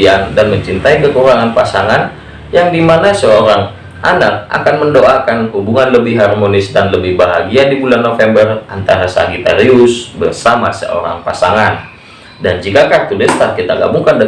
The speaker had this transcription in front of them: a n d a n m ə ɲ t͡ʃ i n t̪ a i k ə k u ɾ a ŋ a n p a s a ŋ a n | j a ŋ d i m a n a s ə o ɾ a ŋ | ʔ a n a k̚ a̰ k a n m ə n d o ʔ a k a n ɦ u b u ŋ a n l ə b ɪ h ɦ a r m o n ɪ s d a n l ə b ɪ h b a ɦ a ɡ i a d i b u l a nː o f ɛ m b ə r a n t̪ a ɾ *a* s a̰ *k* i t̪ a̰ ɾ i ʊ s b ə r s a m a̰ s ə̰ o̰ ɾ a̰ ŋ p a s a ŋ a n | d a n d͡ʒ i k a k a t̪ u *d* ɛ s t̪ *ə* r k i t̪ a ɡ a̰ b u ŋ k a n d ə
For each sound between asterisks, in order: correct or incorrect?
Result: correct, incorrect, correct, incorrect

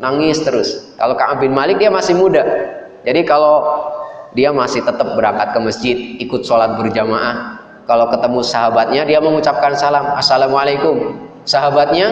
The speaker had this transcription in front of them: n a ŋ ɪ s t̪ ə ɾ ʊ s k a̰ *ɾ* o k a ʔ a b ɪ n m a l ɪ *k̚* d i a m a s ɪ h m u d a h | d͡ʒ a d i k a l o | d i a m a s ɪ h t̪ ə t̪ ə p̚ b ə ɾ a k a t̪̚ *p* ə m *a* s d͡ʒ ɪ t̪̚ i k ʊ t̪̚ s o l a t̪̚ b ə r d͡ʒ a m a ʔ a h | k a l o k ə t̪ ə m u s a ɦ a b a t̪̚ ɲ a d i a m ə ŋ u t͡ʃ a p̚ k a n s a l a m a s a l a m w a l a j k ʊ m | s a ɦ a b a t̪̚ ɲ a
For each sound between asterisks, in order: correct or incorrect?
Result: incorrect, correct, incorrect, incorrect

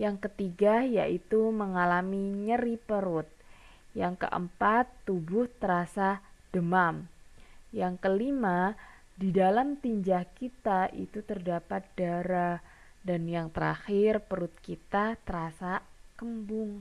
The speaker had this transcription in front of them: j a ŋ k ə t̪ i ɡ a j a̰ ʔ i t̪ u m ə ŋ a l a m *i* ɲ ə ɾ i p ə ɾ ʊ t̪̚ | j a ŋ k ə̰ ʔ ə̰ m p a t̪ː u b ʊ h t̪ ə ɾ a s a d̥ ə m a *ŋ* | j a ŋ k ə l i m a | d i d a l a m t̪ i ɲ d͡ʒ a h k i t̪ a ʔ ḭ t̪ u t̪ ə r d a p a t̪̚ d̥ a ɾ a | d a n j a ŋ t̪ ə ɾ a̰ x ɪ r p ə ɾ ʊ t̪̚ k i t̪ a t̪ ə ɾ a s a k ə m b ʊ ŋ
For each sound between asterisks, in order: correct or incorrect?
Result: correct, incorrect

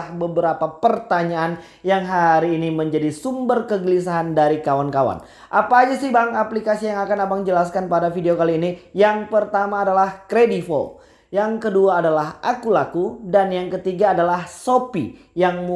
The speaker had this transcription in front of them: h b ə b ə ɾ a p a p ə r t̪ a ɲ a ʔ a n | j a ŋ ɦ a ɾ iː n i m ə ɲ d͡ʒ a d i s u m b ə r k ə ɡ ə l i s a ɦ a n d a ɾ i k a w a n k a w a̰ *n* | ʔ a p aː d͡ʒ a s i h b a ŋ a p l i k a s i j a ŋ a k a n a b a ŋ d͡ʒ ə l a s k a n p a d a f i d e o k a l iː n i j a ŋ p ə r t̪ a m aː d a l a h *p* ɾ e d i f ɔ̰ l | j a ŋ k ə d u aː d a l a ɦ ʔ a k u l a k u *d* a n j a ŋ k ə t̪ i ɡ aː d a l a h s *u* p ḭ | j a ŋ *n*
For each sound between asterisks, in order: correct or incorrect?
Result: correct, incorrect, correct, incorrect, incorrect

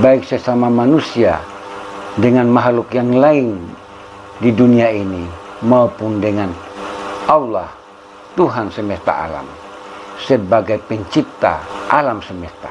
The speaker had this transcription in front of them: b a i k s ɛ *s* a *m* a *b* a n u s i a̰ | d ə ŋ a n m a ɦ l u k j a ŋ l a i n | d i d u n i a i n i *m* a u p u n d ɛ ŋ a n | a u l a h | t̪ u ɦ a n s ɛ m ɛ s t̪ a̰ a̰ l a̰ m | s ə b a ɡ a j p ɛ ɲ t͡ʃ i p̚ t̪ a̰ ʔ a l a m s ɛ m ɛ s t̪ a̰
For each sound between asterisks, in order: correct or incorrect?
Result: correct, correct, incorrect, correct

